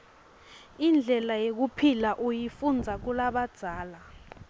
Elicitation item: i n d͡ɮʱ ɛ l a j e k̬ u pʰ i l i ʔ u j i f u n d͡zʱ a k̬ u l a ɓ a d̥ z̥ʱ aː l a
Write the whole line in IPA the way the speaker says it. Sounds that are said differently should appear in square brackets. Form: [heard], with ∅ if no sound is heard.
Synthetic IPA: i n d͡ɮʱ ɛ l a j e k̬ u pʰ i l [a] ʔ u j i f u n d͡zʱ a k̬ u l a ɓ a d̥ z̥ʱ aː l a